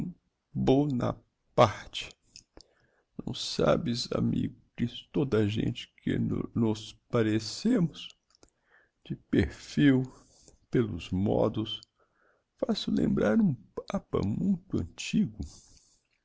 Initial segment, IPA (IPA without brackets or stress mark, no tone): b